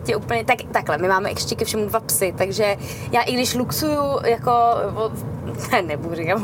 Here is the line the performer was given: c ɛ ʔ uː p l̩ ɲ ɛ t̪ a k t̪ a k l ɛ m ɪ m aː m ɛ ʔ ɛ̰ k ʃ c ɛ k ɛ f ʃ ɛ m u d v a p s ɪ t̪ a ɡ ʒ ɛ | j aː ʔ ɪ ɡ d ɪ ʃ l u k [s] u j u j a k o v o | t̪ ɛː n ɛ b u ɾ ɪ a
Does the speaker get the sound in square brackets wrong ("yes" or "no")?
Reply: no